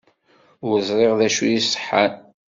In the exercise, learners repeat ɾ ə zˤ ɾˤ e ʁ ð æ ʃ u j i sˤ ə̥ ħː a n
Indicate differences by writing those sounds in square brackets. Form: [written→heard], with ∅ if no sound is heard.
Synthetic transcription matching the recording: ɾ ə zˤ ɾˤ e ʁ ð æ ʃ u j i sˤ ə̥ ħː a n